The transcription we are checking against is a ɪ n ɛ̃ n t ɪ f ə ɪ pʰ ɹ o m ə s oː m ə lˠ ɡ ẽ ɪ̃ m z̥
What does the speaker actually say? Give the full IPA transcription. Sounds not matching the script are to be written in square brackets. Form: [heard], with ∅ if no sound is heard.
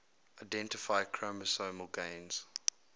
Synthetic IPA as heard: a ɪ [d] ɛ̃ n t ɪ f [a] ɪ [kʰ] ɹ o m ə s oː m ə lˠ ɡ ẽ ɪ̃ [n] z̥

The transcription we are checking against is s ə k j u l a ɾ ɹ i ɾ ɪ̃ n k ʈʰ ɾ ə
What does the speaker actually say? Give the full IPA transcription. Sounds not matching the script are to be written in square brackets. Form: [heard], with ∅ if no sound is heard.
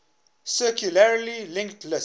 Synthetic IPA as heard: s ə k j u l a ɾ [l] i [l] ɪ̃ [ŋ] k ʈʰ [l] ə

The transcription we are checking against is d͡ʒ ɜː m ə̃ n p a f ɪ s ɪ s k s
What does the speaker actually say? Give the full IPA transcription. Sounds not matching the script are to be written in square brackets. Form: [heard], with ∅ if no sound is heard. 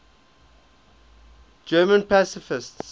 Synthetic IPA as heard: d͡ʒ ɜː m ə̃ n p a [s] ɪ [f] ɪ s [t] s

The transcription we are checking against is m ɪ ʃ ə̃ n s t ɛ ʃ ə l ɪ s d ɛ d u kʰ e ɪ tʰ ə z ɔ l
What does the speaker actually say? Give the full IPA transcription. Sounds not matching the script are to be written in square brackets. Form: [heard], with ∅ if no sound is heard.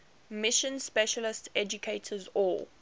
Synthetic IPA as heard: m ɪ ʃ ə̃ n s [p] ɛ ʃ ə l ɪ s [t] ɛ [d͡ʒ] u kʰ e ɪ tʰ ə z ɔ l

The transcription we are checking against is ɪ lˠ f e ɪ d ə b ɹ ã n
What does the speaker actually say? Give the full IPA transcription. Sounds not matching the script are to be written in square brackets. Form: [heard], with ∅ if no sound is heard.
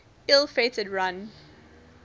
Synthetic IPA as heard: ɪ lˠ f e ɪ [t] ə [d] ɹ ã n

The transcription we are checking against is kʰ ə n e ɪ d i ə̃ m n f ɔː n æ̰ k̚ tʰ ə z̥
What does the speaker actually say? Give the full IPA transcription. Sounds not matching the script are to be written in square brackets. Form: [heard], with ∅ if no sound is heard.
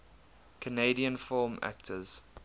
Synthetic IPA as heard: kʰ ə n e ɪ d i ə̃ [∅] n f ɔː [m] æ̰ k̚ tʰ ə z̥

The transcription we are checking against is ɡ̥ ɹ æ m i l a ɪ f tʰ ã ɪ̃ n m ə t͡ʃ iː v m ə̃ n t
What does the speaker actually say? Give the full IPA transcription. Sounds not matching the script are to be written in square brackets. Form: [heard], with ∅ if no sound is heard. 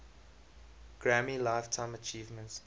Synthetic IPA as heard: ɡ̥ ɹ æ m i l a ɪ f tʰ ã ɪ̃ [∅] m ə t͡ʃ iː v m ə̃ n t

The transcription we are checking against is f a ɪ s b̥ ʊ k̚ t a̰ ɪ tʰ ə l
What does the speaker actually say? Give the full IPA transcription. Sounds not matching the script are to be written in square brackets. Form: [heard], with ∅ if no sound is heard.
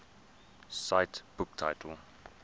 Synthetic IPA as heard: [s] a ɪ [t] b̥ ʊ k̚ [tʰ] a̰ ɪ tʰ ə l

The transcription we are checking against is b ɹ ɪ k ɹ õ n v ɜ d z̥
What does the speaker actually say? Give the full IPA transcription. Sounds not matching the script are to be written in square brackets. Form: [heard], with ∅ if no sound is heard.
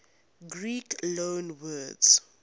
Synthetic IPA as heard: [ɡ] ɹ [i] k [l] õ n [w] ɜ d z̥

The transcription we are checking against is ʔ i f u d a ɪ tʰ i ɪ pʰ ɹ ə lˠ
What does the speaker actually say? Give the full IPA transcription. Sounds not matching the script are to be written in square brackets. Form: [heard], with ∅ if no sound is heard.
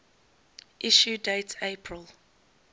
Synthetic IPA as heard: ʔ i [ʃ] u d [e] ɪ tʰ [e] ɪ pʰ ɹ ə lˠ

